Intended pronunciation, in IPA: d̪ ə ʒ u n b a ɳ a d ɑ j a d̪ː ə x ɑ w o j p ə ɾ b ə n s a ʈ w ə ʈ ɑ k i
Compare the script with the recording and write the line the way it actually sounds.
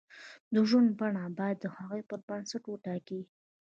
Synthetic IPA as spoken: d̪ ə ʒ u n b a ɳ a b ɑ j a d̪ː ə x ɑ ɣ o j p ə ɾ b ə n s a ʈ w ə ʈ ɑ k i